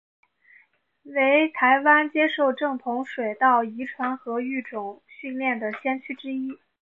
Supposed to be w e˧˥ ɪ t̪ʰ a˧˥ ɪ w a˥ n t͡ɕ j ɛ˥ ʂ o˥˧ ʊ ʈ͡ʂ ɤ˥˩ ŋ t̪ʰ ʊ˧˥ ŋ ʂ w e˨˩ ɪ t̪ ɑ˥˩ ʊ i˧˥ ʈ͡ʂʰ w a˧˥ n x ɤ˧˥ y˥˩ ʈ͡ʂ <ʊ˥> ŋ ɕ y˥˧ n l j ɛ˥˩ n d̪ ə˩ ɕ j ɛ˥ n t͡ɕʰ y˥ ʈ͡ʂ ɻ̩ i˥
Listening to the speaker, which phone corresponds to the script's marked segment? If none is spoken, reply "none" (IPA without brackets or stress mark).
ʊ˨˩